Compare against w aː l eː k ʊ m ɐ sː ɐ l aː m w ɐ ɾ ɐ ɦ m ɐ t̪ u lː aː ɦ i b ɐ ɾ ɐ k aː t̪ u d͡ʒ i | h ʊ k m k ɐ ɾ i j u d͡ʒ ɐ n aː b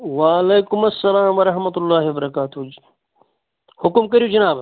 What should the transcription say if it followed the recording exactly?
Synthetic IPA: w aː l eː k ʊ m ɐ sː ɐ l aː m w ɐ ɾ ɐ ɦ m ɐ t̪ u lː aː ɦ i b ɐ ɾ ɐ k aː t̪ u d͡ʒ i | h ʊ k m k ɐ ɾ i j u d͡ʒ ɐ n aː b